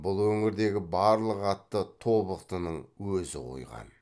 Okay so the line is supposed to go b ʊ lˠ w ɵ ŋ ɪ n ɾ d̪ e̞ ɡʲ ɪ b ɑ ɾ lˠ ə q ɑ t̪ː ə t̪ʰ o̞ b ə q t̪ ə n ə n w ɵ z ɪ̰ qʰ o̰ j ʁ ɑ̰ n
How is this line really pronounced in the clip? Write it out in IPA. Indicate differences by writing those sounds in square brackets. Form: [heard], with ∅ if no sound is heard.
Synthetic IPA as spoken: b ʊ lˠ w ɵ ŋ ɪ [∅] ɾ d̪ e̞ ɡʲ ɪ b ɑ ɾ lˠ ə q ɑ t̪ː ə t̪ʰ o̞ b ə q t̪ ə n ə [ɴ] w ɵ z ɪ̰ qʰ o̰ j ʁ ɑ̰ n